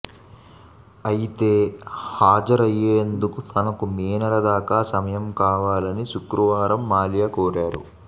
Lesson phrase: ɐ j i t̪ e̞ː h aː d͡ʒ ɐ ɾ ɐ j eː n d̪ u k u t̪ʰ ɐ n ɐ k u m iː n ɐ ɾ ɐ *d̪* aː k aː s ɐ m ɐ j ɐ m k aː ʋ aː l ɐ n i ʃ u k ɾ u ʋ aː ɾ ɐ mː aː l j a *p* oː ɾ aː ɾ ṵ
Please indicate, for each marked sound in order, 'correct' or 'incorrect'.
correct, incorrect: k

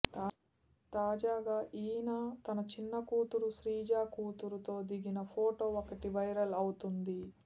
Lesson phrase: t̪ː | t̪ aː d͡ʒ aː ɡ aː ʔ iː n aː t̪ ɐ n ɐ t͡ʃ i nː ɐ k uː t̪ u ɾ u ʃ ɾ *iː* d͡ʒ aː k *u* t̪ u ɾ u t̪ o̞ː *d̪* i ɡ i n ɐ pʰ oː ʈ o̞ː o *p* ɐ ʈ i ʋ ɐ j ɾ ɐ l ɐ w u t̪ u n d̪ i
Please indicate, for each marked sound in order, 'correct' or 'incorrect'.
correct, incorrect: uː, correct, incorrect: k

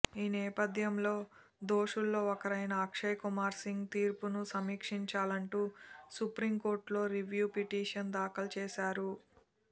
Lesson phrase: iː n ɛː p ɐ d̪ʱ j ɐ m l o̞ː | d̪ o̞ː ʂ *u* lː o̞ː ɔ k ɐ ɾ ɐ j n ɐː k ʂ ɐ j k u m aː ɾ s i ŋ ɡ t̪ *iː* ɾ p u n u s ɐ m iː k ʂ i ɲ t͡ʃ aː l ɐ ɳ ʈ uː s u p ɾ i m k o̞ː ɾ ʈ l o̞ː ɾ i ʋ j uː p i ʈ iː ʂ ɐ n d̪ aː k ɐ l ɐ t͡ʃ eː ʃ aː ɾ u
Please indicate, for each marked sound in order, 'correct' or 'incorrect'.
correct, correct

